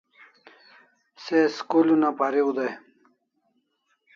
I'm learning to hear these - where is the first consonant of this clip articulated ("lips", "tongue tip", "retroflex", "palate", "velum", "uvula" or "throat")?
tongue tip